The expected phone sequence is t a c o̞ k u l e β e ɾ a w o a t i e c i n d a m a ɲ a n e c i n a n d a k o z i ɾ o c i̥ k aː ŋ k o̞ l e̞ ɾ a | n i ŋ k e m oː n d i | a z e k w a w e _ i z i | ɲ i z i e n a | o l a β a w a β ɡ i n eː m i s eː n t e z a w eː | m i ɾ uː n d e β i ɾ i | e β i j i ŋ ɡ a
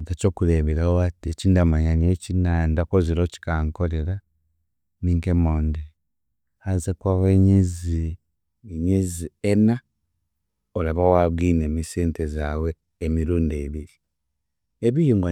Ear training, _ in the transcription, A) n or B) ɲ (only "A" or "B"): B